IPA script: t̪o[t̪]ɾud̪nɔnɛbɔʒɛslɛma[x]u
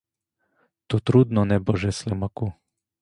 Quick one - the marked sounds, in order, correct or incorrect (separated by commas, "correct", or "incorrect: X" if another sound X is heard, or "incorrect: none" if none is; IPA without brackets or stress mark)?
correct, incorrect: k